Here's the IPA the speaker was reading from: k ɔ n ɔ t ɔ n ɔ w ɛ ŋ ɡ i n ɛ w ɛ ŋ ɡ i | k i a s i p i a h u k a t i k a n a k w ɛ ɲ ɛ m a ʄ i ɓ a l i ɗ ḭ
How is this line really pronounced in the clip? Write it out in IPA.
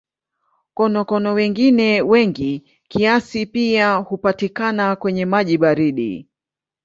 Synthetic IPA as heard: k ɔ n ɔ k ɔ n ɔ w ɛ ŋ ɡ i n ɛ w ɛ ŋ ɡ i | k i a s i p i a h u p a t i k a n a k w ɛ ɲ ɛ m a ʄ i ɓ a ɾ i ɗ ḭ